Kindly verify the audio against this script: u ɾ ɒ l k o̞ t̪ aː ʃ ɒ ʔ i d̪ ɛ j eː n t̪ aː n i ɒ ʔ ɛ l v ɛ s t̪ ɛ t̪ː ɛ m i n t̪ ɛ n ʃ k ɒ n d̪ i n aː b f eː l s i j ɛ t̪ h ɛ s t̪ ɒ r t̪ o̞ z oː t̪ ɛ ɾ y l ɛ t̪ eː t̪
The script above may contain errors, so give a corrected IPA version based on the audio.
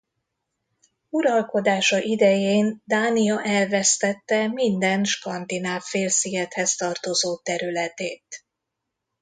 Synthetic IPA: u ɾ ɒ l k o̞ d̪ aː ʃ ɒ ʔ i d̪ ɛ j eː n d̪ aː n i ɒ ʔ ɛ l v ɛ s t̪ ɛ t̪ː ɛ m i n d̪ ɛ n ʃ k ɒ n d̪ i n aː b f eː l s i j ɛ t̪ h ɛ s t̪ ɒ r t̪ o̞ z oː t̪ ɛ ɾ y l ɛ t̪ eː t̪